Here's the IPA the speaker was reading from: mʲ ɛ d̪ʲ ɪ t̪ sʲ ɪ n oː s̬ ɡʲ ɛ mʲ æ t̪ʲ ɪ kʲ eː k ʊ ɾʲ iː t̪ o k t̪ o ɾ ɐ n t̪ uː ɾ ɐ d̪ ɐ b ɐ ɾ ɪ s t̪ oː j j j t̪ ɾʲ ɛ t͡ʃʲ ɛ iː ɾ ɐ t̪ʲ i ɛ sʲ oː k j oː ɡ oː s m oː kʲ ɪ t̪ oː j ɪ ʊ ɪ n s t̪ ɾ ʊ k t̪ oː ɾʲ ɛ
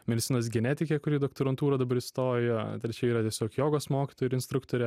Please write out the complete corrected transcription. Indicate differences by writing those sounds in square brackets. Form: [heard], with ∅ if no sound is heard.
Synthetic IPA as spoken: mʲ ɛ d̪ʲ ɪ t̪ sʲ ɪ n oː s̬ ɡʲ ɛ [nʲ] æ t̪ʲ ɪ kʲ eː k ʊ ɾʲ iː [d̪] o k t̪ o ɾ ɐ n t̪ uː ɾ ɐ d̪ ɐ b ɐ ɾ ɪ s t̪ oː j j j t̪ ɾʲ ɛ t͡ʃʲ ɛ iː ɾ ɐ t̪ʲ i ɛ sʲ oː k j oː ɡ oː s m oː kʲ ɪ t̪ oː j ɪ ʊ ɪ n s t̪ ɾ ʊ k t̪ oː ɾʲ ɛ